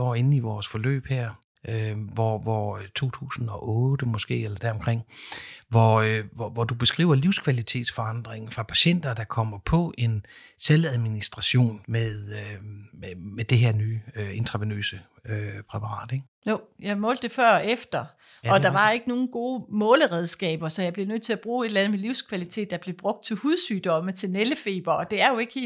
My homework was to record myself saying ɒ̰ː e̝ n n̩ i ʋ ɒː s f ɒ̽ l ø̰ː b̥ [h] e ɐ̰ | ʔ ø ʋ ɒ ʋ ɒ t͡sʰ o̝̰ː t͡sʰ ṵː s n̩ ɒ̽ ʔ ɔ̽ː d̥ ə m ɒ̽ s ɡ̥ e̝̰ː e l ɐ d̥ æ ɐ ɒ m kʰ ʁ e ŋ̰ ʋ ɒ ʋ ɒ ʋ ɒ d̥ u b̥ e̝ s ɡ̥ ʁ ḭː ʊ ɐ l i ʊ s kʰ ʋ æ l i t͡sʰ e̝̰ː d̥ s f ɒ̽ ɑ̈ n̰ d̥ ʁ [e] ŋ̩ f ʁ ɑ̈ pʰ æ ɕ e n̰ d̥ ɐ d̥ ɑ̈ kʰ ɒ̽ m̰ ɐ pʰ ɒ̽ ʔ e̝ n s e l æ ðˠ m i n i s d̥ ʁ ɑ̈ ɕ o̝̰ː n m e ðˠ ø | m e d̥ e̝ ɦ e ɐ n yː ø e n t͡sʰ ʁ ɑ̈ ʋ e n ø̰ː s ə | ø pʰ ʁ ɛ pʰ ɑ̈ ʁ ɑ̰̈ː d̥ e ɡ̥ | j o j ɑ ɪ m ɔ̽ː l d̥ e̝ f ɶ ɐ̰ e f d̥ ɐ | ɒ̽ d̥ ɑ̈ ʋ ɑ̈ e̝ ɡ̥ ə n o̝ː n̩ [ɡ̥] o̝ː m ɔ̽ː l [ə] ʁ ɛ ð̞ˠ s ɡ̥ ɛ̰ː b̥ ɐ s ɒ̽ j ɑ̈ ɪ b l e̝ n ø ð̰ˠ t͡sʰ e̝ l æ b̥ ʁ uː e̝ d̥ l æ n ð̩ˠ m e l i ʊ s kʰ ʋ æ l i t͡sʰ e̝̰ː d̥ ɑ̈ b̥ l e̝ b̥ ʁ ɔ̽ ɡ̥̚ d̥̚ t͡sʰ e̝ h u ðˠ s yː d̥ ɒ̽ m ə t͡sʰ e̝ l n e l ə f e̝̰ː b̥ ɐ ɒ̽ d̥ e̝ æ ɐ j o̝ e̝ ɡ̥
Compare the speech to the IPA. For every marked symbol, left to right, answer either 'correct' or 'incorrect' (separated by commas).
correct, correct, correct, correct